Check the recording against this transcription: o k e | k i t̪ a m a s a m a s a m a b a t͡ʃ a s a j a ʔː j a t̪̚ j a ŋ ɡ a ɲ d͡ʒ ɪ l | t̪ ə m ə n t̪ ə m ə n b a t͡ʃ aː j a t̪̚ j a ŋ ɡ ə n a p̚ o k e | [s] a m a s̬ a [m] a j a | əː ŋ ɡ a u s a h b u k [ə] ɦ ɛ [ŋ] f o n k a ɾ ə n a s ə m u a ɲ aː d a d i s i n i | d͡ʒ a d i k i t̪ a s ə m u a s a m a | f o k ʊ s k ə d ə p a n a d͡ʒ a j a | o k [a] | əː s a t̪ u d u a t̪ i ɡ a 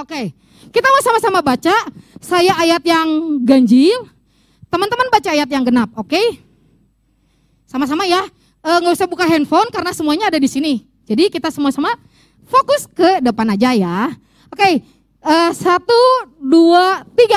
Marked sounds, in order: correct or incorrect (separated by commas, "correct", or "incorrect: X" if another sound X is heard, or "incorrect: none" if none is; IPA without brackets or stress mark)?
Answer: correct, correct, incorrect: a, incorrect: n, incorrect: e